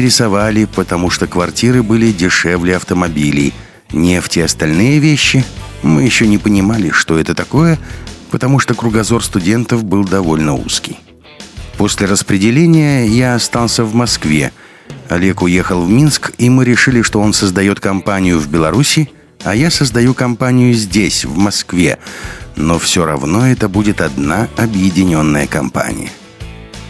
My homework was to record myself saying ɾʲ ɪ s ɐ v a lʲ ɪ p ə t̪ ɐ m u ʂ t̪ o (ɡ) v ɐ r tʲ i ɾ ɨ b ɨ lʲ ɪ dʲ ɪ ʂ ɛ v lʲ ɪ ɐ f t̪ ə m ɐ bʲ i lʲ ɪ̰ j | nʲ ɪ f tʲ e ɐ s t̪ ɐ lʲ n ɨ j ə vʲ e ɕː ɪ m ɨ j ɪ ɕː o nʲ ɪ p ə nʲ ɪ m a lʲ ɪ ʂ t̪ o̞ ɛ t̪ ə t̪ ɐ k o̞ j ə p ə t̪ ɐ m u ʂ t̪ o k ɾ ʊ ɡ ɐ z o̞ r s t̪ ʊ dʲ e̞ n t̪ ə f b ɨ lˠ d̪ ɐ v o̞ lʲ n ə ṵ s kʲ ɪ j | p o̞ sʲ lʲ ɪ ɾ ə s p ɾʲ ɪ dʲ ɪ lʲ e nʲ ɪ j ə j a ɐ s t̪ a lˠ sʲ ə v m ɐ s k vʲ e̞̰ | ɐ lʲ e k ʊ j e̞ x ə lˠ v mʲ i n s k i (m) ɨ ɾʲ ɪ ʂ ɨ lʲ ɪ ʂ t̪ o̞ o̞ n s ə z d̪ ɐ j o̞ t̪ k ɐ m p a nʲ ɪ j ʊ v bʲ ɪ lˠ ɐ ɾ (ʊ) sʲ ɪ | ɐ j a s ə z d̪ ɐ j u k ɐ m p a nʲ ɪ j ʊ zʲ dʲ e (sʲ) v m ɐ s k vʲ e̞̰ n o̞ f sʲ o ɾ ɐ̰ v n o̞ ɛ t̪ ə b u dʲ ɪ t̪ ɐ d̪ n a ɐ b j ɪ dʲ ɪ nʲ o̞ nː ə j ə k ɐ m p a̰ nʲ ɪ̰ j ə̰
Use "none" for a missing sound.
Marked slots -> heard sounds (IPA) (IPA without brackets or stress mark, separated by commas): k, m, u, sʲ